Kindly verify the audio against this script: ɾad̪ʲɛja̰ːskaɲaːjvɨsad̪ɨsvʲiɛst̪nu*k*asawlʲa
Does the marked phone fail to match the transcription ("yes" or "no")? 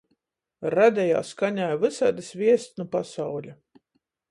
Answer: yes